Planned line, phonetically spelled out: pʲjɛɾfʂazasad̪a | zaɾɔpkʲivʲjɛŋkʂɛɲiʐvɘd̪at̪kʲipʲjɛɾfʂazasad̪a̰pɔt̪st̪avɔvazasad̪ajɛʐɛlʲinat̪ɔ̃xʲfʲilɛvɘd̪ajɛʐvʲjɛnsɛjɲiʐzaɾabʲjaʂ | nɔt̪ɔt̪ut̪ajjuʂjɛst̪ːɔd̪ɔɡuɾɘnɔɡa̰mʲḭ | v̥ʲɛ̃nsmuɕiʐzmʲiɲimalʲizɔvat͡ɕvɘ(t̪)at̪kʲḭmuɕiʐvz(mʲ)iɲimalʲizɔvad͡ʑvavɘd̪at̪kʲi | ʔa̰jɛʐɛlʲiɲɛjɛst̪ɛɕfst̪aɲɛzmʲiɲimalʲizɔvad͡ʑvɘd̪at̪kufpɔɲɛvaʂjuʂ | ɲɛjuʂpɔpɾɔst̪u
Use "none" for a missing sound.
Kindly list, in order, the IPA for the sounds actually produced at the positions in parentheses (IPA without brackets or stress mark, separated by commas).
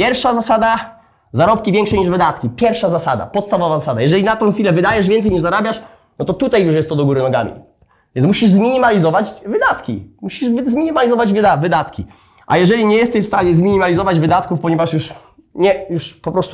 d̪, mʲ